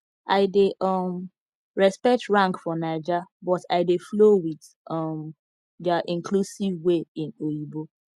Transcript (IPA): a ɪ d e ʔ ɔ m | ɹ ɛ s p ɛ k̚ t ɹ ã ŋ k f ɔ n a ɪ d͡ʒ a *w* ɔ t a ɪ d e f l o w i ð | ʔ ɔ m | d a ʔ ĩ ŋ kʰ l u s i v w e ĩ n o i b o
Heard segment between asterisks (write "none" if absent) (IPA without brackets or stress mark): b